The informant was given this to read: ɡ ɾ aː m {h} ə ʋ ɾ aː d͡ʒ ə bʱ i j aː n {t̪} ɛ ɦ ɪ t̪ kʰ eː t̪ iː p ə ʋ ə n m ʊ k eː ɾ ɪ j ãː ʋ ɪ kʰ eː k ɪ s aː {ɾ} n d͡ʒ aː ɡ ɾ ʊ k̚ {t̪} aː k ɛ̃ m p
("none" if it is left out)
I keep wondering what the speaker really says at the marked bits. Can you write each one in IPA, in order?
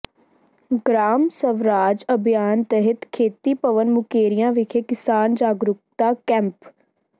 s, t̪, none, t̪

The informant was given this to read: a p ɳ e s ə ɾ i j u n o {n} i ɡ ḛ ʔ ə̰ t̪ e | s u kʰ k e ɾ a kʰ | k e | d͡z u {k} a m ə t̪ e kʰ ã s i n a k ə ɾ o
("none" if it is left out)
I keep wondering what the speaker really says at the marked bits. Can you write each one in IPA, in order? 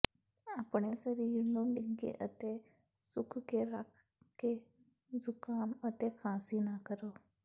m, k

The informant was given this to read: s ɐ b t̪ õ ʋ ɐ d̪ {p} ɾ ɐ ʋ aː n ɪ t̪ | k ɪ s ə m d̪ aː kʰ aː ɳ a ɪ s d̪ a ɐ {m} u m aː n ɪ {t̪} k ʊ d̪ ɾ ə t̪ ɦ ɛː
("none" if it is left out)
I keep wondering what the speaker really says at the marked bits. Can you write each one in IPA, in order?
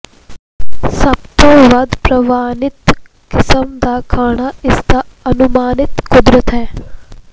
p, n, t̪

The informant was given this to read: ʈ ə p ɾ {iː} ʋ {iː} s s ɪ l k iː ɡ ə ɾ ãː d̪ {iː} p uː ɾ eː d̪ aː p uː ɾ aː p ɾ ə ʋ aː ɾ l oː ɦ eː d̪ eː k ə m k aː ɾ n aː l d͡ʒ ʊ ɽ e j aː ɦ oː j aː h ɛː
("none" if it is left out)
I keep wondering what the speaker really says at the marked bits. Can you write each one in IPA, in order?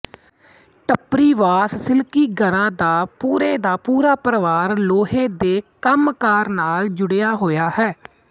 iː, aː, aː

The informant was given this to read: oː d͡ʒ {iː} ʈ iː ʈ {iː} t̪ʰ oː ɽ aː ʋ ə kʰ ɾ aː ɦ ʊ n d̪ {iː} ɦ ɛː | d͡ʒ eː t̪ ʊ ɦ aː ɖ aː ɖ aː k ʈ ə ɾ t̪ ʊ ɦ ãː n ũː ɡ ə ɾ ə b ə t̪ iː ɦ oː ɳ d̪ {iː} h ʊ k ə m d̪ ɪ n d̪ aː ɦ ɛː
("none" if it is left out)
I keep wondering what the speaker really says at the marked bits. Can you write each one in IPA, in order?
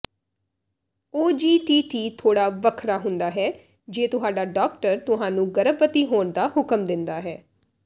iː, iː, aː, aː

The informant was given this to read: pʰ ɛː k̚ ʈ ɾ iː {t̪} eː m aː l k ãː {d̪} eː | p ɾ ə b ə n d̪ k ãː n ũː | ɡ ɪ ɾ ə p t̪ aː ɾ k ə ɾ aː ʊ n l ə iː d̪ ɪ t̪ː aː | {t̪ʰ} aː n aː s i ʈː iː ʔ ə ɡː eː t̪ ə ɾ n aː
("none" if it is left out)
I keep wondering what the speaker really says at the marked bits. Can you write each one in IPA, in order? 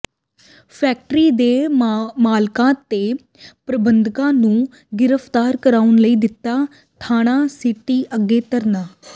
d̪, t̪, t̪ʰ

